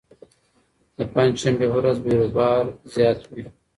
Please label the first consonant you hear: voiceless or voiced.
voiced